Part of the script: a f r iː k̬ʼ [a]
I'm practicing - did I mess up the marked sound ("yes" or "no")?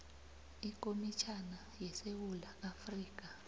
no